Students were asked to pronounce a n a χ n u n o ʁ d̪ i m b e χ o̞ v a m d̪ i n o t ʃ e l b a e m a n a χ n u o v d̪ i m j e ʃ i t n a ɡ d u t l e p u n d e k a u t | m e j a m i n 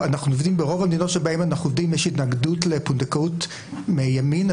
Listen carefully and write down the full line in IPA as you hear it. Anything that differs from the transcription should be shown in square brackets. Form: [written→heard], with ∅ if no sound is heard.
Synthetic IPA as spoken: a n a χ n u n o [ʁ→v] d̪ i m b e [χ→ʁ] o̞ v a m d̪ i n o t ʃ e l b a e m a n a χ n u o v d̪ i m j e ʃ i t n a ɡ d u t l e p u n d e k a u t | m e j a m i n